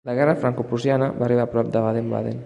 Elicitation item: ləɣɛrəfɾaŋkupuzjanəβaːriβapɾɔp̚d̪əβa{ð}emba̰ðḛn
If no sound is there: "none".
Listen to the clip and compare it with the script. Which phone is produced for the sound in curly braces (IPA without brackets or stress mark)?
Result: ð